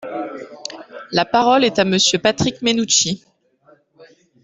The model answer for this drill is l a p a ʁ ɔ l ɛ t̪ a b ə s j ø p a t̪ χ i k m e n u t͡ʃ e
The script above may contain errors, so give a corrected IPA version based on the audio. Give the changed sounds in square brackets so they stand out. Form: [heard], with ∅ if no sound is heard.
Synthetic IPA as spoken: l a p a ʁ ɔ l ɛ t̪ a [m] ə s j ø p a t̪ χ i k m e n u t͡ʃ [i]